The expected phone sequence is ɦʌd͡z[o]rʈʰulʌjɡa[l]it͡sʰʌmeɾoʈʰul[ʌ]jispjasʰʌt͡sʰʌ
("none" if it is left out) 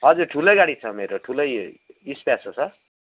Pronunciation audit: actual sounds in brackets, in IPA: u, ɽ, ʌ

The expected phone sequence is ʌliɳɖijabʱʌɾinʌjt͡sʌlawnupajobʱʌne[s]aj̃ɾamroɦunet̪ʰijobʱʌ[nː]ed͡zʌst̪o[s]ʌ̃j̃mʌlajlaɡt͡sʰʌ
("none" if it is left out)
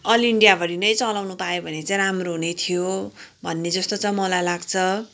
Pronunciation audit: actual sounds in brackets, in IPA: t͡s, nː, t͡s

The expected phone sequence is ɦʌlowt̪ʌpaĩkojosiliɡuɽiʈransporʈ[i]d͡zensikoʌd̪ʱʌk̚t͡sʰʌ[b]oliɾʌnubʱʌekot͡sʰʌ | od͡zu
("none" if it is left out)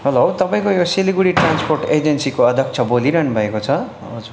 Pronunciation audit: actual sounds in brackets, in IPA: e, b

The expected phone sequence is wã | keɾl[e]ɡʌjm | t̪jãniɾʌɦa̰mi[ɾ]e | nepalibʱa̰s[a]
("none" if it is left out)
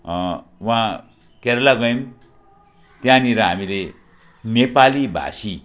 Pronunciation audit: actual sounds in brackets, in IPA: a, l, i

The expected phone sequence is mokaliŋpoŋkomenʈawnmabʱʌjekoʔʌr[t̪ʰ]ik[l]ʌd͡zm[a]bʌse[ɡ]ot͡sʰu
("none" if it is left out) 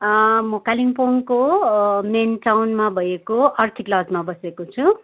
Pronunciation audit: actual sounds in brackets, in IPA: t̪ʰ, l, a, k

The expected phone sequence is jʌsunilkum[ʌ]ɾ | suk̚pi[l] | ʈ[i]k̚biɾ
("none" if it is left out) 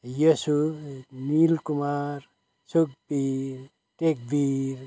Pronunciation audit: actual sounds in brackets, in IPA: a, ɾ, e

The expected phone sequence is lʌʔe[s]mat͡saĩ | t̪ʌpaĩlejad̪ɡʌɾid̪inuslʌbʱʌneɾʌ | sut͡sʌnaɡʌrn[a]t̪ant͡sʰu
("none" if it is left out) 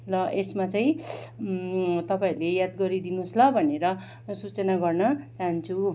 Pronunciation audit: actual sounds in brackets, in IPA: s, ʌ

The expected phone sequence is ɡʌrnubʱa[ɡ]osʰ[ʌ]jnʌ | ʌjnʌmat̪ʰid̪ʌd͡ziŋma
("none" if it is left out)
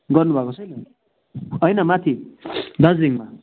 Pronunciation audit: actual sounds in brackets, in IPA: k, ʌ

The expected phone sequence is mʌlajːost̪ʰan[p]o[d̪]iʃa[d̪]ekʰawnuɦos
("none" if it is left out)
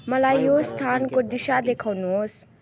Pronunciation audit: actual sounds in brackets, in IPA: k, d̪, d̪

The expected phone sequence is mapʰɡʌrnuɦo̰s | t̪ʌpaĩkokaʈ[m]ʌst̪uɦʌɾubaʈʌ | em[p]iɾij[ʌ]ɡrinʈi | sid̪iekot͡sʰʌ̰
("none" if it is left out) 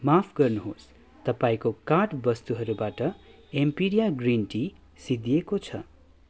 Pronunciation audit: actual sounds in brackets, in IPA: b, p, a

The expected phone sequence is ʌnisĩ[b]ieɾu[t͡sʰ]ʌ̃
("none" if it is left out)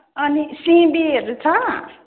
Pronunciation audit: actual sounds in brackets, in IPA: b, t͡sʰ

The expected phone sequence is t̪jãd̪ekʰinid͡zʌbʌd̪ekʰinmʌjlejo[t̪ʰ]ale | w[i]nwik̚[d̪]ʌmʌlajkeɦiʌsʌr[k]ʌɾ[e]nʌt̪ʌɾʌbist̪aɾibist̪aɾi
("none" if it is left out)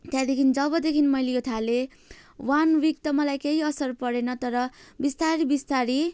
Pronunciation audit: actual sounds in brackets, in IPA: t̪ʰ, a, t̪, p, e

